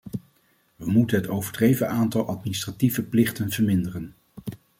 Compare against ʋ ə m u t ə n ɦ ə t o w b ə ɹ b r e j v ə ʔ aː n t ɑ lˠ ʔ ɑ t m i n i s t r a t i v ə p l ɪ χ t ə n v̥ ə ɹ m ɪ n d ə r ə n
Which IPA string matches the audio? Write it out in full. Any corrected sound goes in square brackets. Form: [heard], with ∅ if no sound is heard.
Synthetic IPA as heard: ʋ ə m u t ə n ɦ ə t o w [v] ə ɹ [d] r e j v ə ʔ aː n t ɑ lˠ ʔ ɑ t m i n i s t r a t i v ə p l ɪ χ t ə n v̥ ə ɹ m ɪ n d ə r ə n